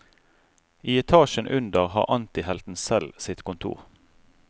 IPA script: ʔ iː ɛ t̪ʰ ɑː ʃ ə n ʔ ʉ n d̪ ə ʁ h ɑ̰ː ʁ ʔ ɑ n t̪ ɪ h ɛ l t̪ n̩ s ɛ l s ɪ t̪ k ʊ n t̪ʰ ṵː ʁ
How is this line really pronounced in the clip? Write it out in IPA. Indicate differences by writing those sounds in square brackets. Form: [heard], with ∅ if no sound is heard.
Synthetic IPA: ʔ iː ɛ t̪ʰ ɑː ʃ ə n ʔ ʉ n d̪ ə ʁ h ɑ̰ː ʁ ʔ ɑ n t̪ ɪ h ɛ l t̪ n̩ s ɛ l s ɪ t̪ k ʊ n t̪ʰ ṵː ʁ

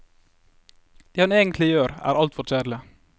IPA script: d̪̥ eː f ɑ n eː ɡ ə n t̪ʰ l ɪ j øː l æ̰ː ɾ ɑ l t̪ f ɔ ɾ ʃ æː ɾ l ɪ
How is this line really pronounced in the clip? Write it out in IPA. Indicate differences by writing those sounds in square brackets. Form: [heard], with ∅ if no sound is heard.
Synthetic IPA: d̪̥ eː [h] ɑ n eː ɡ ə n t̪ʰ l ɪ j øː [ɾ] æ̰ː ɾ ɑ l t̪ f ɔ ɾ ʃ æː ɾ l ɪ

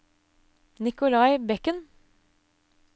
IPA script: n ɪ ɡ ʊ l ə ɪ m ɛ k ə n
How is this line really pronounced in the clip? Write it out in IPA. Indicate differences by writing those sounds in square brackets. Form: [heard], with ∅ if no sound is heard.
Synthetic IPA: n ɪ [k] ʊ l [ɑ] ɪ [b] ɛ k ə n

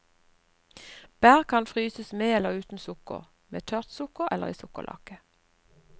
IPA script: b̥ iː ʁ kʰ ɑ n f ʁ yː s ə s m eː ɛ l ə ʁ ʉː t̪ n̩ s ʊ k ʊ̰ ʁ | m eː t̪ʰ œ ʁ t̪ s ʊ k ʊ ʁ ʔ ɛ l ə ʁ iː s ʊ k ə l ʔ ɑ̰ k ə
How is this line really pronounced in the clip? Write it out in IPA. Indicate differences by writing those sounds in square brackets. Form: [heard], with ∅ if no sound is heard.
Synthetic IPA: b̥ [æː] ʁ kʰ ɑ n f ʁ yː s ə s m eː ɛ l ə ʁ ʉː t̪ n̩ s ʊ k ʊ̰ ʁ | m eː t̪ʰ œ ʁ t̪ s ʊ k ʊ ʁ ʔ ɛ l ə ʁ iː s ʊ k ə l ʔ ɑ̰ k ə

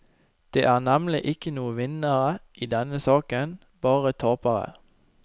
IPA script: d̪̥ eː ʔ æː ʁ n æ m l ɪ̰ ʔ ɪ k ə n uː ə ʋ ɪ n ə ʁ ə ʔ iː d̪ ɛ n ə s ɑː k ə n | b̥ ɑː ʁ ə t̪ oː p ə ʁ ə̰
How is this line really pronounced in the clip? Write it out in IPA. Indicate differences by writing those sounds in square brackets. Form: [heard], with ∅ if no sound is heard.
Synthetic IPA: d̪̥ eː ʔ æː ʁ n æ m l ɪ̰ ʔ ɪ k ə n uː ə ʋ ɪ n ə ʁ ə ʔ iː d̪ ɛ n ə s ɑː k ə n | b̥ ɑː ʁ ə [t̪ʰ] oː p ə ʁ ə̰

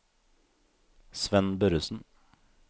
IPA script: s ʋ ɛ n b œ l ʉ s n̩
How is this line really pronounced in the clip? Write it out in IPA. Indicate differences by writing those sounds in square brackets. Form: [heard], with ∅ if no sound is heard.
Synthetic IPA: s ʋ ɛ n b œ [ɾ] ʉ s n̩

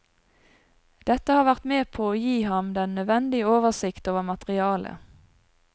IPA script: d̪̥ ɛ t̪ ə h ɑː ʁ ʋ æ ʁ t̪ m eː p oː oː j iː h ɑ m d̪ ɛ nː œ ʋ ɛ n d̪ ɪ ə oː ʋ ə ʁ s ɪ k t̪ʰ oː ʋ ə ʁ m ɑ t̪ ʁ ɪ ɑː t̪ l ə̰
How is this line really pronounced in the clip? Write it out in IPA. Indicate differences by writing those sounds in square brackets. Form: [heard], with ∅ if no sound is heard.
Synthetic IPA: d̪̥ ɛ t̪ ə h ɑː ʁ ʋ æ ʁ t̪ m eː [pʰ] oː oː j iː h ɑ m d̪ ɛ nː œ ʋ ɛ n d̪ ɪ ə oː ʋ ə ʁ s ɪ k [t̪] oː ʋ ə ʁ m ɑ t̪ ʁ ɪ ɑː [∅] l ə̰

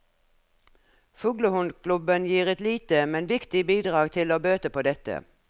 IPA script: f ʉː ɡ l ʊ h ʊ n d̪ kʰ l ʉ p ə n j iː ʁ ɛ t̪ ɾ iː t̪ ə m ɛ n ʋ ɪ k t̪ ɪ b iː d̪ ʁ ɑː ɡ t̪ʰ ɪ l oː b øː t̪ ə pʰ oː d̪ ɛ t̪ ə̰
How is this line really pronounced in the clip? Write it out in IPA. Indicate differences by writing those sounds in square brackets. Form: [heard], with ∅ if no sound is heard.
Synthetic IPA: f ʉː ɡ l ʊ h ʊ n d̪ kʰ l ʉ [b] ə n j iː ʁ ɛ t̪ [l] iː t̪ ə m ɛ n ʋ ɪ k t̪ ɪ b iː d̪ ʁ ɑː ɡ t̪ʰ ɪ l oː b øː t̪ ə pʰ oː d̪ ɛ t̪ ə̰

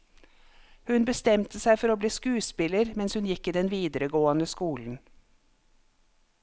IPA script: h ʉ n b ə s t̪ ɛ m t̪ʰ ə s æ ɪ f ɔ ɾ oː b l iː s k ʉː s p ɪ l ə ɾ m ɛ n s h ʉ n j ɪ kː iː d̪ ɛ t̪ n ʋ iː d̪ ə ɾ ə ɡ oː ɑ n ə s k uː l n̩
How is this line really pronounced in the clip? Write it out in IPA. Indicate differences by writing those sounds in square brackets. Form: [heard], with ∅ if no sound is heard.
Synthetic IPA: h ʉ n b ə s t̪ ɛ m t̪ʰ ə s æ ɪ f ɔ ɾ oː b l iː s k ʉː s p ɪ l ə ɾ m ɛ n s h ʉ n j ɪ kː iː d̪ ɛ [∅] n ʋ iː d̪ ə ɾ ə ɡ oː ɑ n ə s k uː l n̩

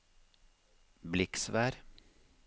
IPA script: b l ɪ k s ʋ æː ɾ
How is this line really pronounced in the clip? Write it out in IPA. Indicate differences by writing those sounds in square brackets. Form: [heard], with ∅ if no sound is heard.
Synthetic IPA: b l ɪ k s ʋ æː ɾ

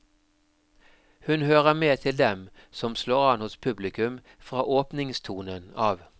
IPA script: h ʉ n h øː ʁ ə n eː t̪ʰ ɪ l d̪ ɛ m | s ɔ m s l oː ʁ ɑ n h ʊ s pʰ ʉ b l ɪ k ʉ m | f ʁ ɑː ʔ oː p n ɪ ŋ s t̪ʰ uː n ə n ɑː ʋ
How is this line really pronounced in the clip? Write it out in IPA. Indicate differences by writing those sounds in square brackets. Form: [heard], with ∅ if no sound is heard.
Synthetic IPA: h ʉ n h øː ʁ ə [m] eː t̪ʰ ɪ l d̪ ɛ m | s ɔ m s l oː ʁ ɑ n h ʊ s pʰ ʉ b l ɪ k ʉ m | f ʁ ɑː ʔ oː p n ɪ ŋ s t̪ʰ uː n ə n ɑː ʋ

